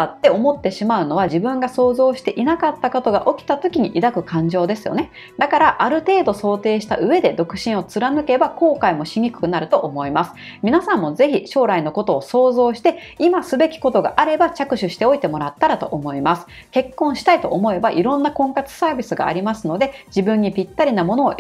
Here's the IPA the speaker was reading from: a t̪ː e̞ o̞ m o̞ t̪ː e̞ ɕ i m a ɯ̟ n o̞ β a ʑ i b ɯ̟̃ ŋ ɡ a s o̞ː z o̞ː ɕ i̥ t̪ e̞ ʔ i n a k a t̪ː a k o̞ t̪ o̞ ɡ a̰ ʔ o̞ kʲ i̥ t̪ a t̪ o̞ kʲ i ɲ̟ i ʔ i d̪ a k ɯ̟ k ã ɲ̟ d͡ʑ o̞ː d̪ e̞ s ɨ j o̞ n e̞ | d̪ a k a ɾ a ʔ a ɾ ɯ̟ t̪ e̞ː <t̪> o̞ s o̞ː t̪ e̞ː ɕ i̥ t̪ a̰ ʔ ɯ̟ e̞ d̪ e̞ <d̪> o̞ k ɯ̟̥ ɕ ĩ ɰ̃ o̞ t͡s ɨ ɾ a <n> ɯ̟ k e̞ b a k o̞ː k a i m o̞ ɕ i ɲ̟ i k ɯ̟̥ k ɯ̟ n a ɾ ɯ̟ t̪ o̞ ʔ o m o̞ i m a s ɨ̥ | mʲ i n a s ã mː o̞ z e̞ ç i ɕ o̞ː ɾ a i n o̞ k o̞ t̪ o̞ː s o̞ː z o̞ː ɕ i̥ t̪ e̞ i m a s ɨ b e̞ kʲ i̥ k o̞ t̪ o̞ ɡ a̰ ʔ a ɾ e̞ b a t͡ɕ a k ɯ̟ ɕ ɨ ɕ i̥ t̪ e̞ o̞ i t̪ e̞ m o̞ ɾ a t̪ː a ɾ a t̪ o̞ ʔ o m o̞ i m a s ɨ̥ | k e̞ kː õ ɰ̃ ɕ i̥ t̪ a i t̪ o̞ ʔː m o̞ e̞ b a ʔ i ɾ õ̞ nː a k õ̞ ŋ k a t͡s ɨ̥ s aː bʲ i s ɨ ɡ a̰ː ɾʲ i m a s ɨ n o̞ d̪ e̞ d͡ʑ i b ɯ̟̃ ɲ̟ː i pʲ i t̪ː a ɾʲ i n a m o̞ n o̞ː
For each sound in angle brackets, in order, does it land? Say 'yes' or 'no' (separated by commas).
no, yes, yes